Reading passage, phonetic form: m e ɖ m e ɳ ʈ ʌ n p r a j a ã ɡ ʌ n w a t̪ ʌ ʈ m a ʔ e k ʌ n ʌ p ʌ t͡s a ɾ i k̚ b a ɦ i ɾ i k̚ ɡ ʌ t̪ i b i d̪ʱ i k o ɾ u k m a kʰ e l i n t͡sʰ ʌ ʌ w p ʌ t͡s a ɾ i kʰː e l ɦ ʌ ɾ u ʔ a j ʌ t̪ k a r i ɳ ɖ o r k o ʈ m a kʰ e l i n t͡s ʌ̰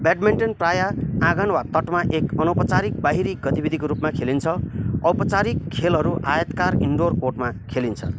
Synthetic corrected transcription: b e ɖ m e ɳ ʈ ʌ n p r a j a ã ɡ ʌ n w a t̪ ʌ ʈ m a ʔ e k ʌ n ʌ p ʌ t͡s a ɾ i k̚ b a ɦ i ɾ i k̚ ɡ ʌ t̪ i b i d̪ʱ i k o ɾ u p m a kʰ e l i n t͡sʰ ʌ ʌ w p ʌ t͡s a ɾ i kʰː e l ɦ ʌ ɾ u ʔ a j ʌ t̪ k a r i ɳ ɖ o r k o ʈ m a kʰ e l i n t͡sʰ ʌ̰